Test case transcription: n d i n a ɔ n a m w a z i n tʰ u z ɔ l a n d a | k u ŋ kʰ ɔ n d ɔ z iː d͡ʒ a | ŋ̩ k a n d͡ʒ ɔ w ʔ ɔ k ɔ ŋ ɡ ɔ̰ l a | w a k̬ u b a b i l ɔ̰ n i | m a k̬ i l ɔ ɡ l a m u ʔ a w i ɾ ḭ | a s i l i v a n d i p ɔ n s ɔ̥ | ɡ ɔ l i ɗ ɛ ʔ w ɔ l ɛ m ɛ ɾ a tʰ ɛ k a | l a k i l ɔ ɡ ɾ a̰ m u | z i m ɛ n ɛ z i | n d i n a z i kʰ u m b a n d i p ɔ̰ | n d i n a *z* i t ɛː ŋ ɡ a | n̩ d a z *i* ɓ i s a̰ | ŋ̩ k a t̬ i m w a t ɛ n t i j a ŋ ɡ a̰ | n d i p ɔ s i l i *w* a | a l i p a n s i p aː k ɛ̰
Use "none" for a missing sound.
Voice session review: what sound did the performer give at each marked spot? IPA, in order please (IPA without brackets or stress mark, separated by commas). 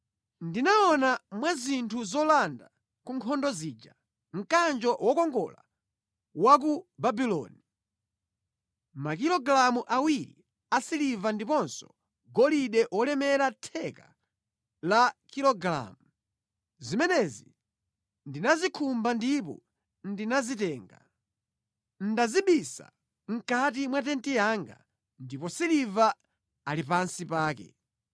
z, i, v